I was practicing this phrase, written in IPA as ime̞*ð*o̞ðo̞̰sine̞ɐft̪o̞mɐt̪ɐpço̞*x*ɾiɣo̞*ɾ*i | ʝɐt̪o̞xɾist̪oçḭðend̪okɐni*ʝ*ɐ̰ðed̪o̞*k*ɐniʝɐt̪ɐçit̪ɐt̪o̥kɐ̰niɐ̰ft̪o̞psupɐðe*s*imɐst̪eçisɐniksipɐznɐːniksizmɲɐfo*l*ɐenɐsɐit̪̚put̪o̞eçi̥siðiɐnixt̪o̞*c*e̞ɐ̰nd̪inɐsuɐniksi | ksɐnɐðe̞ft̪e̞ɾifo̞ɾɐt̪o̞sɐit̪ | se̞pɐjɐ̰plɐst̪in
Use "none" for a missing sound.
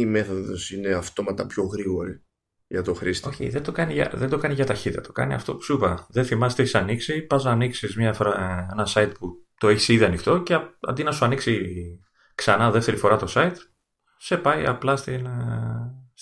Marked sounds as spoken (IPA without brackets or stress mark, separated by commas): θ, ɣ, ɾ, ʝ, k, θ, ɾ, c